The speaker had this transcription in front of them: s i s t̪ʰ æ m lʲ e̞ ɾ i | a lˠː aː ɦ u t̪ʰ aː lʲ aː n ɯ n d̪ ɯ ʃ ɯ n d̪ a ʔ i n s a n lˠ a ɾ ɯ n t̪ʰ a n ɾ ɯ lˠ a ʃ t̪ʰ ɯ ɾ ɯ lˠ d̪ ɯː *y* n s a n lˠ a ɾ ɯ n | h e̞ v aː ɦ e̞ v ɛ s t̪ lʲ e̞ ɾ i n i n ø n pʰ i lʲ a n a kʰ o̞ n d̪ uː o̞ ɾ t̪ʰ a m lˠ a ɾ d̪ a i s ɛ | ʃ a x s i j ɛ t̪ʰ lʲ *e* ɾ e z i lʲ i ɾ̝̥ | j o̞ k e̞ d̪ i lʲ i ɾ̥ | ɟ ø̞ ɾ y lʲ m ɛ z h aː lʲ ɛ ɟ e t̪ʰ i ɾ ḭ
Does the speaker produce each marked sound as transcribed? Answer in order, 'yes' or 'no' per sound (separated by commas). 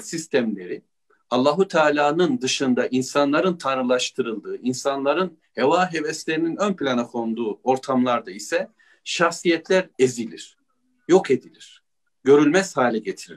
no, no